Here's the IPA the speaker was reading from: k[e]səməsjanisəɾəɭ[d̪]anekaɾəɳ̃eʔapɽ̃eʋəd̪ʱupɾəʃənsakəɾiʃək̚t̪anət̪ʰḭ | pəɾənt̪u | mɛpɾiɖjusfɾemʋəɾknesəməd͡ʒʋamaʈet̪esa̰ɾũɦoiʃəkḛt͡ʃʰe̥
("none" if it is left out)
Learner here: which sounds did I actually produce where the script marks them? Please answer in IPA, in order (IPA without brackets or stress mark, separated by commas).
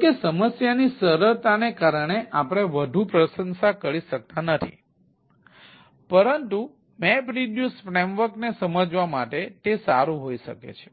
e, t̪